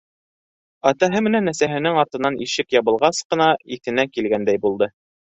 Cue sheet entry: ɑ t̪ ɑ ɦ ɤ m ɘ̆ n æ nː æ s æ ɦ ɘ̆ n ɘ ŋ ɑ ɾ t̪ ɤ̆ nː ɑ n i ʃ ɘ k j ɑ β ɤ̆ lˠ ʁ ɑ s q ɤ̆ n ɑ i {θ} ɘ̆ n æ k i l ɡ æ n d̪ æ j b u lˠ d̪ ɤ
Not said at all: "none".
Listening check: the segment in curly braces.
θ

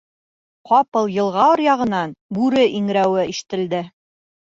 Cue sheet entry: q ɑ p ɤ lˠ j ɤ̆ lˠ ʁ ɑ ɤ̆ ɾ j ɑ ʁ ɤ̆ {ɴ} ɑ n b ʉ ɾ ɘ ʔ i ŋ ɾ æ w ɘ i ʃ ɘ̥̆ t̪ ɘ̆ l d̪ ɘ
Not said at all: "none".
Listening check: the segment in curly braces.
n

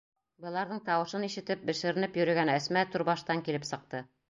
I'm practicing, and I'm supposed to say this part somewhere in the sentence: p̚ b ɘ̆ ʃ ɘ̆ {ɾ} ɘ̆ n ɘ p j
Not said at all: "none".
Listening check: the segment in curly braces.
ɾ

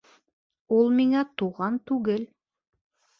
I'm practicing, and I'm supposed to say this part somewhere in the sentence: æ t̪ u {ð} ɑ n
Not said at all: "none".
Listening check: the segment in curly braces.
ʁ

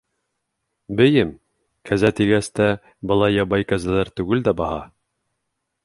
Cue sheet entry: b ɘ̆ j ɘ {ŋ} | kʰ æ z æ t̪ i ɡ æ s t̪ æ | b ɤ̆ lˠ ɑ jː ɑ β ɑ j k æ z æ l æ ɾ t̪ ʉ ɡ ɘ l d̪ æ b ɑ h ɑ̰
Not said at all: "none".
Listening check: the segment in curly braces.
m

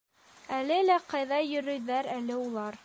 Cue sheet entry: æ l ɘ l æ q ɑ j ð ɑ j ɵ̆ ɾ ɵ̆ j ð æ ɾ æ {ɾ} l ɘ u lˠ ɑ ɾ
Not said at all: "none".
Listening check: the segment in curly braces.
none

